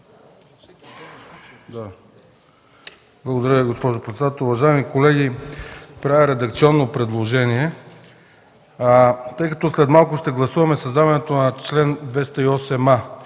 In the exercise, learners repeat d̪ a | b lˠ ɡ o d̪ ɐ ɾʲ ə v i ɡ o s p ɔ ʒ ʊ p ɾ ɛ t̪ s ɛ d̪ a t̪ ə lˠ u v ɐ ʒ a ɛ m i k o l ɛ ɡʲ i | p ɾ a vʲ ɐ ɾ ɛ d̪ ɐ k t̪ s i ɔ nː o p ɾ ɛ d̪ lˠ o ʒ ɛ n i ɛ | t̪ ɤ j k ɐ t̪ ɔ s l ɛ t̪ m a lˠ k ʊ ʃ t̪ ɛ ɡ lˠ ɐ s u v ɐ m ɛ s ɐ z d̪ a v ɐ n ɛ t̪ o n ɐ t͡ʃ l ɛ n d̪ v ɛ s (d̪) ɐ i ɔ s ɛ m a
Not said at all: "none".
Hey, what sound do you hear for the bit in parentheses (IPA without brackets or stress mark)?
t̪